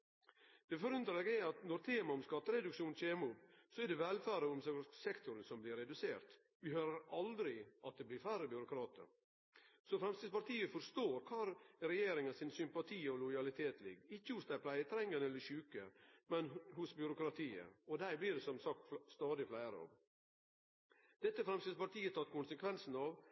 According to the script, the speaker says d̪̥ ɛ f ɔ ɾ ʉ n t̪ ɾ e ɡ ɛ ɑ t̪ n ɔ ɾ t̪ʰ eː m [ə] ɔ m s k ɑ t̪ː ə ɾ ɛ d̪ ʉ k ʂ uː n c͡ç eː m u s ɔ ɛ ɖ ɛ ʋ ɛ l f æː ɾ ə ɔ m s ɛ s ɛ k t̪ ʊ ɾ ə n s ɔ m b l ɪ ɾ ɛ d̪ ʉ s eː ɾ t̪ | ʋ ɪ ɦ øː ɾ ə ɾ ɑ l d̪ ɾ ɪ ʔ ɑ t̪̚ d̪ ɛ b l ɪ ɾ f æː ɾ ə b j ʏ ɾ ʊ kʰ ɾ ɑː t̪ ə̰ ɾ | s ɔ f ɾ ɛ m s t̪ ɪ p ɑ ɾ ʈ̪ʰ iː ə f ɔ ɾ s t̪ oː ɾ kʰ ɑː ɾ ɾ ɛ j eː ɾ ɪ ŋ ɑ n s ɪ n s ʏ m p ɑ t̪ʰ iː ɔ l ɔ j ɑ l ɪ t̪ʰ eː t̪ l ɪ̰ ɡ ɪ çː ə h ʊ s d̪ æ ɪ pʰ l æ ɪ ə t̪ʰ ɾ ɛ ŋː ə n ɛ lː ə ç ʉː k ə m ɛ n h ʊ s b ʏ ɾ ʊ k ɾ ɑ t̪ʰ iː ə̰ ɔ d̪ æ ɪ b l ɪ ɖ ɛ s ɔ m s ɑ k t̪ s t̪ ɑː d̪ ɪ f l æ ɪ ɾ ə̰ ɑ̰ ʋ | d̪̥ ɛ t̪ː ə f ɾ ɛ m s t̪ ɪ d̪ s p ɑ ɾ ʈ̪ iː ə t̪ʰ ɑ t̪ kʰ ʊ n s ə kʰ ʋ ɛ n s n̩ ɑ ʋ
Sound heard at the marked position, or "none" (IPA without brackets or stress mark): ɑ